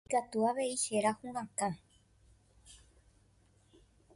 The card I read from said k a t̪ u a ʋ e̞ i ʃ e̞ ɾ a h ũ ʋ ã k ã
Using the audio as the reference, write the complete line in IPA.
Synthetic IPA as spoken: k a t̪ u a ʋ e̞ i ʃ e̞ ɾ a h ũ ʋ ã k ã